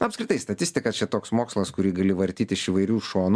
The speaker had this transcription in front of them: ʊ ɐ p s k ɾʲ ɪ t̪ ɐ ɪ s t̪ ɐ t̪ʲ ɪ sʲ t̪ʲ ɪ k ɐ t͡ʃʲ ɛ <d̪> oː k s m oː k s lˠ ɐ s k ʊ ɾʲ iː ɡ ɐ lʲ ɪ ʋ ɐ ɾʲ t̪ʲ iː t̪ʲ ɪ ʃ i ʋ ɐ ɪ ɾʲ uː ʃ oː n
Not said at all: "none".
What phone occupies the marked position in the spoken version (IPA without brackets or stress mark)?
t̪